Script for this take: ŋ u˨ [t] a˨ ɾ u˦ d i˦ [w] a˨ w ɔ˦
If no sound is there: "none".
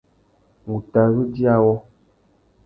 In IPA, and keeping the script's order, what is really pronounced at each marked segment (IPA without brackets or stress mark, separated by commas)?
t, none